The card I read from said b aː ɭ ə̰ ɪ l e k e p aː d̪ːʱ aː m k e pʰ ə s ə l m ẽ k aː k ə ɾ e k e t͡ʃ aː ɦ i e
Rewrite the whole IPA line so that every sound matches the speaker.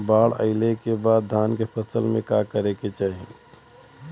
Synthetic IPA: b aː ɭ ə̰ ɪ l e k e b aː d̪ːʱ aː n k e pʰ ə s ə l m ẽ k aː k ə ɾ e k e t͡ʃ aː ɦ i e